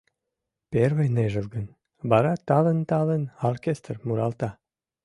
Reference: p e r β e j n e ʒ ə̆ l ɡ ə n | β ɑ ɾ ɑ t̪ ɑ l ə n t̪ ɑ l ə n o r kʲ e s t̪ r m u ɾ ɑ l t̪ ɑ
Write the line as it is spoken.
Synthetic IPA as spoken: p e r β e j n e ʒ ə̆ l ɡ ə n | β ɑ ɾ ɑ t̪ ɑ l ə n t̪ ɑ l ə n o r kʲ e s t̪ r m u ɾ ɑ l t̪ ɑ